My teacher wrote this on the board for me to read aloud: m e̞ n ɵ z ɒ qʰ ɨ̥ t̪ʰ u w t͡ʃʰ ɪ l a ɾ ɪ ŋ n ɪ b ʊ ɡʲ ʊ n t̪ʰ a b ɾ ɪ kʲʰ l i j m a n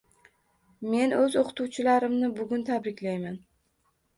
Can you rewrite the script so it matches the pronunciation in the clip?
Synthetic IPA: m e̞ n ɵ z o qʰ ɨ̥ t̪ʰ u w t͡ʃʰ ɪ l a ɾ ɪ m n ɪ b ʊ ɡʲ ʊ n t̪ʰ a b ɾ ɪ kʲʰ l a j m a n